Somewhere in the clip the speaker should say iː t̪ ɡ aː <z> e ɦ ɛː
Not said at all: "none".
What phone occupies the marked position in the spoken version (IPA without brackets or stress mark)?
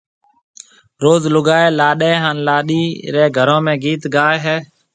none